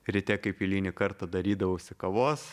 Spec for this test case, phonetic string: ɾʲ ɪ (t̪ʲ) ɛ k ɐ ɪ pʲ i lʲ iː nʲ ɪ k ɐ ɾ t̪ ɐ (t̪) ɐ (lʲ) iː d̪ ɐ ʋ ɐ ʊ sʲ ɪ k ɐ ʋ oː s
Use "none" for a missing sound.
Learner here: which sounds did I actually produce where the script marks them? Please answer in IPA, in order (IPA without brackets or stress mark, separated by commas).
t̪ʲ, d̪, ɾʲ